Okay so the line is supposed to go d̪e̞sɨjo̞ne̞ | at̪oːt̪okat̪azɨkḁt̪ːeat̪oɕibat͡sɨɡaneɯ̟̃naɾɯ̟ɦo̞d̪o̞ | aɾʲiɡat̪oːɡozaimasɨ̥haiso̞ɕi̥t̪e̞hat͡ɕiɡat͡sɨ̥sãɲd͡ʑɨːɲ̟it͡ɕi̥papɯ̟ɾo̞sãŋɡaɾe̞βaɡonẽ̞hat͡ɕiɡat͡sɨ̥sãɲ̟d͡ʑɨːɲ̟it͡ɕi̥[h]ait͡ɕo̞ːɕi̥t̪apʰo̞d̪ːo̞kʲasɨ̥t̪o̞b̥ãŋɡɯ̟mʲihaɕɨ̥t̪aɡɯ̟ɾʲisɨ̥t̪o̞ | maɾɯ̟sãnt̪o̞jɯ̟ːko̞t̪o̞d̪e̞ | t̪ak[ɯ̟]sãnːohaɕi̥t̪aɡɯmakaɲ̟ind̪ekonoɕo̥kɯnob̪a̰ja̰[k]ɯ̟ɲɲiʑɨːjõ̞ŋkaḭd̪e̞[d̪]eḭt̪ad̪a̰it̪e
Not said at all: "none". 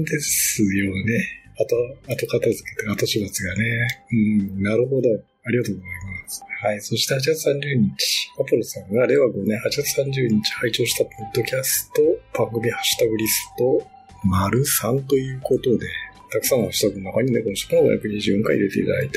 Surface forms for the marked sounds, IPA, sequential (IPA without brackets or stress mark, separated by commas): h, ɯ̟, k, t̪